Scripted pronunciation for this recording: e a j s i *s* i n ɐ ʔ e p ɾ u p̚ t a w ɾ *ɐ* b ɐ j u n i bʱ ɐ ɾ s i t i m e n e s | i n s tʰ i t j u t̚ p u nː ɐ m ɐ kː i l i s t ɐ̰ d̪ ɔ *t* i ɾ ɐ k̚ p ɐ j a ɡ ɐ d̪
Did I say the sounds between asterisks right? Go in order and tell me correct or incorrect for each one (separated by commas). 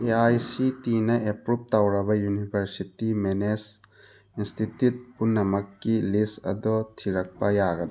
incorrect, correct, incorrect